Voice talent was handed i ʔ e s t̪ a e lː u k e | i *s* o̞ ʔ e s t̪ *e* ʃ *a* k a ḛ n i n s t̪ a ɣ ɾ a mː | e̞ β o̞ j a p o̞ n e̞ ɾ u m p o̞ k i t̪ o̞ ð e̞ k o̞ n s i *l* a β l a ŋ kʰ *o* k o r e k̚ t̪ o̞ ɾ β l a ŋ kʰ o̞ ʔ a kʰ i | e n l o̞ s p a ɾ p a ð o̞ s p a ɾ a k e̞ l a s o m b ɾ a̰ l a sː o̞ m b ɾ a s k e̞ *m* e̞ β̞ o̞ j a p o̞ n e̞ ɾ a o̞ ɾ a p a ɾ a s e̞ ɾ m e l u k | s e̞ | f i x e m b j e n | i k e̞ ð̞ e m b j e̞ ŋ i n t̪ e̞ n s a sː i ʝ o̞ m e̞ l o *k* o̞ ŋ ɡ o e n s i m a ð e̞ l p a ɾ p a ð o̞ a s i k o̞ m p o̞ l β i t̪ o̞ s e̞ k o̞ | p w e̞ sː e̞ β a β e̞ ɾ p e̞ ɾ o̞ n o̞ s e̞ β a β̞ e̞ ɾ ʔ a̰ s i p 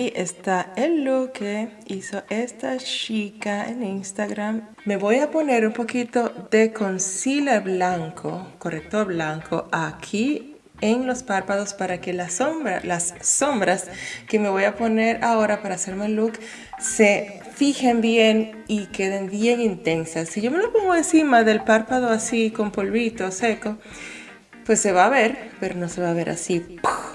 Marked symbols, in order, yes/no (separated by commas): yes, no, no, yes, yes, yes, no